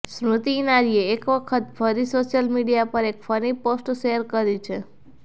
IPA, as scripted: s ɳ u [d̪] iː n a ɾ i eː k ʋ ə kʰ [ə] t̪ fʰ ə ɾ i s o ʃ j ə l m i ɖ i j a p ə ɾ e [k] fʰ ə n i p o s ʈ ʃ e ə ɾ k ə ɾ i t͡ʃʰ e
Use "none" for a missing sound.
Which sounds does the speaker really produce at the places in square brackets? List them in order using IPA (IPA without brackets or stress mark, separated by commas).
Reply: t̪, ə, k